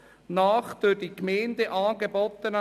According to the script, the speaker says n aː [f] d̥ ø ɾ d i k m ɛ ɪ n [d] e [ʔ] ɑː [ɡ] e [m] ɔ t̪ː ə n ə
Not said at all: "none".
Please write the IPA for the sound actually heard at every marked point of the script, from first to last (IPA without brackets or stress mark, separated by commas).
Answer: χ, d, ʔ, ɡ, b